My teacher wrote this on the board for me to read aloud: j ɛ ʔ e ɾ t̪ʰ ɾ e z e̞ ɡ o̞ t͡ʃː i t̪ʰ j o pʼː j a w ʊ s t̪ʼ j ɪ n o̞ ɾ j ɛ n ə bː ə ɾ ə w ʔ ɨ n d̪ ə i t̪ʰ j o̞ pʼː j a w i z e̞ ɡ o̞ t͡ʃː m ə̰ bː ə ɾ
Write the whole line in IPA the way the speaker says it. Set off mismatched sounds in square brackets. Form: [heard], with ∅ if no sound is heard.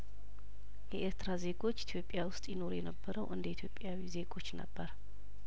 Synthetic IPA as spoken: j ɛ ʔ e ɾ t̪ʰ ɾ [a] z e̞ ɡ o̞ t͡ʃː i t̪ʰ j o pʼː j a w ʊ s t̪ʼ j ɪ n o̞ ɾ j ɛ n ə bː ə ɾ ə w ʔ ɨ n d̪ ə i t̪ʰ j o̞ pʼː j a w i z e̞ ɡ o̞ t͡ʃː [n] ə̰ bː ə ɾ